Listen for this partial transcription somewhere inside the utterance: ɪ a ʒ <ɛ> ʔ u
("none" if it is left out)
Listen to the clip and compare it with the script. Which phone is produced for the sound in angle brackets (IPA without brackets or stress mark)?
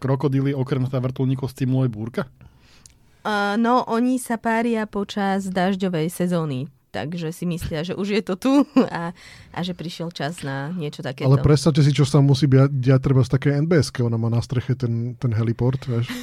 ɛ